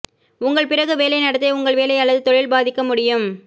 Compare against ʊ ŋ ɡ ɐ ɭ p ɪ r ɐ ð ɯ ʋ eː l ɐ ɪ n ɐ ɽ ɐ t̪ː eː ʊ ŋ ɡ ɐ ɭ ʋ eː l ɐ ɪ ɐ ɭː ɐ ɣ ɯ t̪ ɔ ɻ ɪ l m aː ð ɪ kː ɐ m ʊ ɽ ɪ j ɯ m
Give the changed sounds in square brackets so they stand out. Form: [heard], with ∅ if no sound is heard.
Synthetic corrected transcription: ʊ ŋ ɡ ɐ ɭ p ɪ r ɐ [ɣ] ɯ ʋ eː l ɐ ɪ n ɐ ɽ ɐ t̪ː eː ʊ ŋ ɡ ɐ ɭ ʋ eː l ɐ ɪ ɐ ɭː ɐ [ð] ɯ t̪ ɔ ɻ ɪ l [b] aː ð ɪ kː ɐ m ʊ ɽ ɪ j ɯ m